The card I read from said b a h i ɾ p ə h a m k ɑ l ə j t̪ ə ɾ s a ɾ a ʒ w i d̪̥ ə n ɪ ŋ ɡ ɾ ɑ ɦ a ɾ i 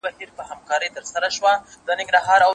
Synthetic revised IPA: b a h i ɾ p ə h a m k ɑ ɾ ə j t̪ ə ɾ s a ɾ a ʃ w a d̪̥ ə n ɪ ŋ ɡ ɾ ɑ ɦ ɑ ɾ a